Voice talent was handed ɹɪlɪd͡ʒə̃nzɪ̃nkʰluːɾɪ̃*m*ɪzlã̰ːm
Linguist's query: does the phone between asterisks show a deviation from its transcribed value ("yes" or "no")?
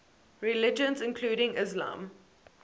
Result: yes